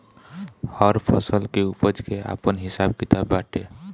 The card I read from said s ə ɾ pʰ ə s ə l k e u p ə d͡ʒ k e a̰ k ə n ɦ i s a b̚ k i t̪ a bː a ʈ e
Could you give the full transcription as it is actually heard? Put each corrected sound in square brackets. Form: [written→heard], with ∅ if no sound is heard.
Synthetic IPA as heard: [s→h] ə ɾ pʰ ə s ə l k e u p ə d͡ʒ k e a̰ [k→p] ə n ɦ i s a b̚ k i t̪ a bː a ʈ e